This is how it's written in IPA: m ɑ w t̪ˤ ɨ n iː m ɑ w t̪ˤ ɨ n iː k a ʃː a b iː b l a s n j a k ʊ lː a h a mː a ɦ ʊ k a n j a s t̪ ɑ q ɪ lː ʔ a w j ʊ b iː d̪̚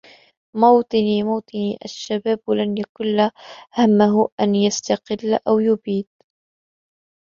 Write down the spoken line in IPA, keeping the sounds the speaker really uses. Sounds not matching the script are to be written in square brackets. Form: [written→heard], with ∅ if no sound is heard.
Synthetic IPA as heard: m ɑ w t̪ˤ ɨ n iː m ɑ w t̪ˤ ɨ n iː [k→ʔ] a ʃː a b [iː→aː] b l a [s→∅] n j a k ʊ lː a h a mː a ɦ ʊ [k→ʔ] a n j a s t̪ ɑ q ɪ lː ʔ a w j ʊ b iː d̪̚